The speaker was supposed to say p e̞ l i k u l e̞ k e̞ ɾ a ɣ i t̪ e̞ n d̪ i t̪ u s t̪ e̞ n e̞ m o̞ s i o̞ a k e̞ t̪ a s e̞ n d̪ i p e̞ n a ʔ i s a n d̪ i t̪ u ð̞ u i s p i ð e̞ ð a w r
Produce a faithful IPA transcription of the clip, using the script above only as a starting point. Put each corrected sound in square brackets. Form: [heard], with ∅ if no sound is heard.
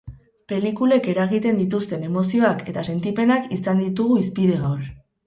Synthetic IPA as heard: p e̞ l i k u l e̞ k e̞ ɾ a ɣ i t̪ e̞ n d̪ i t̪ u s t̪ e̞ n e̞ m o̞ s i o̞ a k e̞ t̪ a s e̞ n [t̪] i p e̞ n a [k] i s a n d̪ i t̪ u [ɣ̞] u i s p i ð e̞ [ɣ] a w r

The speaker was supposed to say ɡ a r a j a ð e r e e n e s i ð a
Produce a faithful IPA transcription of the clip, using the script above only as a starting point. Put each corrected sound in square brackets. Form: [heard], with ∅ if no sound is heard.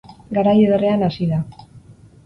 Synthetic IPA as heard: ɡ a [ɾ] a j [e] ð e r e [a] n [a] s i ð a

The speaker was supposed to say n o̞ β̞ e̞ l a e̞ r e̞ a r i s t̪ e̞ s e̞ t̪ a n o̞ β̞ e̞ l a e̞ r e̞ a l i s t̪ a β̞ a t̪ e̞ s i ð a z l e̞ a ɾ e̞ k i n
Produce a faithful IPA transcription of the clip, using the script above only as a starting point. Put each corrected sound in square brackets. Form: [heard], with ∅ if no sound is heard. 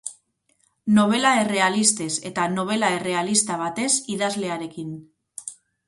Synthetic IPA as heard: n o̞ β̞ e̞ l a e̞ r e̞ a [l] i s t̪ e̞ s e̞ t̪ a n o̞ β̞ e̞ l a e̞ r e̞ a l i s t̪ a β̞ a t̪ e̞ s i ð a z l e̞ a ɾ e̞ k i n

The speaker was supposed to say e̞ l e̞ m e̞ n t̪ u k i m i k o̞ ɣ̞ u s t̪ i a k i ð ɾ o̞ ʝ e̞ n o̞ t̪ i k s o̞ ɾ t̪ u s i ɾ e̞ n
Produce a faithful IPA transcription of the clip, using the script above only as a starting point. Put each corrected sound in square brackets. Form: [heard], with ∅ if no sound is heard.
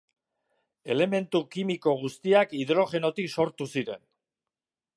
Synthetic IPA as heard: e̞ l e̞ m e̞ n t̪ u k i m i k o̞ ɣ̞ u s t̪ i a k i ð ɾ o̞ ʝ e̞ n o̞ t̪ i k s o̞ ɾ t̪ u s i ɾ e̞ n

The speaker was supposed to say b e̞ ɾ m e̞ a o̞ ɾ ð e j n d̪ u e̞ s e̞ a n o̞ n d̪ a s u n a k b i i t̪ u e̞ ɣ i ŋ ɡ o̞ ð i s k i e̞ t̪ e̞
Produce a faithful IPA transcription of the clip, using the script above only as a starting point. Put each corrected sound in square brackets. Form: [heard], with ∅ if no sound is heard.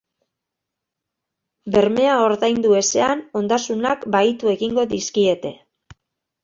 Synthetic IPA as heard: b e̞ ɾ m e̞ a o̞ ɾ ð [a] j n d̪ u e̞ s e̞ a n o̞ n d̪ a s u n a k b [a] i t̪ u e̞ ɣ i ŋ ɡ o̞ ð i s k i e̞ t̪ e̞

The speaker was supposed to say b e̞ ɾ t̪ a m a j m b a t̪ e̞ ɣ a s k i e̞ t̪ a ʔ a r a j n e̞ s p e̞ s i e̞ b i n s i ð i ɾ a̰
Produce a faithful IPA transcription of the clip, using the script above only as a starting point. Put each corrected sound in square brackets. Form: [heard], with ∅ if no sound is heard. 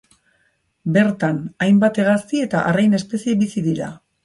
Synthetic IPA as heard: b e̞ ɾ t̪ a [n] a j m b a t̪ e̞ ɣ a s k i e̞ t̪ a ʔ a r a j n e̞ s p e̞ s i e̞ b i [∅] s i ð i ɾ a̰

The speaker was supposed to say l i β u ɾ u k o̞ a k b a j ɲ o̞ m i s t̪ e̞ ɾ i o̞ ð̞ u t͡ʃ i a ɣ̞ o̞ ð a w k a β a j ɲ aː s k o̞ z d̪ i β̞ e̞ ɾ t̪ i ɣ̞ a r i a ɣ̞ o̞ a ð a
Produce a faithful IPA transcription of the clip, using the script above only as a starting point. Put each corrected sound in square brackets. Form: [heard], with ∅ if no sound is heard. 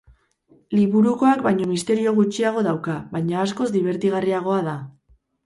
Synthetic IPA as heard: l i β u ɾ u k o̞ a k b a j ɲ o̞ m i s t̪ e̞ ɾ i o̞ [ɣ̞] u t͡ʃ i a ɣ̞ o̞ ð a w k a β a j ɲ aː s k o̞ z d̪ i β̞ e̞ ɾ t̪ i ɣ̞ a r i a ɣ̞ o̞ a ð a

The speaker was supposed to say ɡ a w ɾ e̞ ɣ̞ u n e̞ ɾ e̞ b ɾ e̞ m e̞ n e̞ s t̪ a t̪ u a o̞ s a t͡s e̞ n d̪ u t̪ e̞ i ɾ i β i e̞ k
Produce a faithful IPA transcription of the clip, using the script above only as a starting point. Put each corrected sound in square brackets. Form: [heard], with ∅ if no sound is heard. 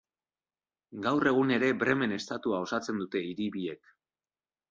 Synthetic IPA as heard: ɡ a w [r] e̞ ɣ̞ u n e̞ ɾ e̞ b ɾ e̞ m e̞ n e̞ s t̪ a t̪ u a o̞ s a t͡s e̞ n d̪ u t̪ e̞ i ɾ i β i e̞ k

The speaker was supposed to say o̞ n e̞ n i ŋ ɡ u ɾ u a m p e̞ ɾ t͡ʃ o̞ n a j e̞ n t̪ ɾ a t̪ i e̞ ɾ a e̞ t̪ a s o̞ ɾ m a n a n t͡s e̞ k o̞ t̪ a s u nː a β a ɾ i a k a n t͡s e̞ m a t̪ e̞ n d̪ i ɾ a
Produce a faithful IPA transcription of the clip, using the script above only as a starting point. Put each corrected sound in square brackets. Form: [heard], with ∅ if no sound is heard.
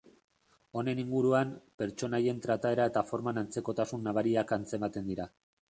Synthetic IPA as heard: o̞ n e̞ n i ŋ ɡ u ɾ u a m p e̞ ɾ t͡ʃ o̞ n a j e̞ n t̪ ɾ a t̪ [a] e̞ ɾ a e̞ t̪ a [f] o̞ ɾ m a n a n t͡s e̞ k o̞ t̪ a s u nː a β a ɾ i a k a n t͡s e̞ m a t̪ e̞ n d̪ i ɾ a

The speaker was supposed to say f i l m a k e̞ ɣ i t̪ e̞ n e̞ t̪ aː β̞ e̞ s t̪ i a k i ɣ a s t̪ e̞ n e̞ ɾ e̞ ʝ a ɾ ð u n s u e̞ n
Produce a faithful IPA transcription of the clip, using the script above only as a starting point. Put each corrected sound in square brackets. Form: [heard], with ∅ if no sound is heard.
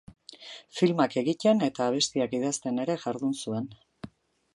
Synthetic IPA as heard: f i l m a k e̞ ɣ i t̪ e̞ n e̞ t̪ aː β̞ e̞ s t̪ i a k i [ð] a s t̪ e̞ n e̞ ɾ e̞ ʝ a ɾ ð u n s u e̞ n

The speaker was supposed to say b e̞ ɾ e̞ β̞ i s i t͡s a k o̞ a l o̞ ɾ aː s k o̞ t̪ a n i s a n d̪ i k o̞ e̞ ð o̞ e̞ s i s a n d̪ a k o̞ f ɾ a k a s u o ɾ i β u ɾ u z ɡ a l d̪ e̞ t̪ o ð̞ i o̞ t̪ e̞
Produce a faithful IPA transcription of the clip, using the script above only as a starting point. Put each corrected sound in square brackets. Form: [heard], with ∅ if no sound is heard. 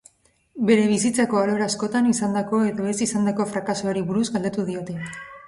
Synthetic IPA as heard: b e̞ ɾ e̞ β̞ i s i t͡s a k o̞ a l o̞ ɾ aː s k o̞ t̪ a n i s a n d̪ [a] k o̞ e̞ ð o̞ e̞ s i s a n d̪ a k o̞ f ɾ a k a s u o ɾ i β u ɾ u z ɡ a l d̪ e̞ t̪ [u] ð̞ i o̞ t̪ e̞

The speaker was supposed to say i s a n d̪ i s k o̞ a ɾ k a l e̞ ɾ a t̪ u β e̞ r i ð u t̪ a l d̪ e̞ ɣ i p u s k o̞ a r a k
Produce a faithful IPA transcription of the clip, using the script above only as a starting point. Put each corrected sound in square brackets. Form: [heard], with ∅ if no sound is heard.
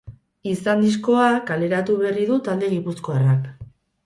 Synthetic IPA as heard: i s a n d̪ i s k o̞ a [∅] k a l e̞ ɾ a t̪ u β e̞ r i ð u t̪ a l d̪ e̞ ɣ i p u s k o̞ a r a k

